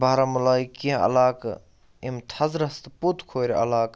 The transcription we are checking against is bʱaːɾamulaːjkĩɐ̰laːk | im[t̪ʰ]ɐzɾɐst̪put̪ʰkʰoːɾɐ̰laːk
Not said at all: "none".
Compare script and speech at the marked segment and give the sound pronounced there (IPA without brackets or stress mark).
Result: t̪ʰ